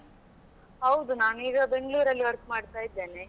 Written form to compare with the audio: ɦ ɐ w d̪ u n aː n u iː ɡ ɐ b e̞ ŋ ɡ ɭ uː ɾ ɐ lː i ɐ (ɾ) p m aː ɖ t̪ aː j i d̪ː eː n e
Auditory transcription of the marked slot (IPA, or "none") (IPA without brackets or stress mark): ɾ